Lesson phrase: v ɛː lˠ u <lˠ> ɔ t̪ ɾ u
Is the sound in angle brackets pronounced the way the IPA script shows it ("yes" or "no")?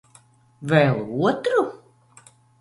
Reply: no